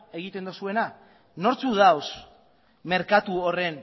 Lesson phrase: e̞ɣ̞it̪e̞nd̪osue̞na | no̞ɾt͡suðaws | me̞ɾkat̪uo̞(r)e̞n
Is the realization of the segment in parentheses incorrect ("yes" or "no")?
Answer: no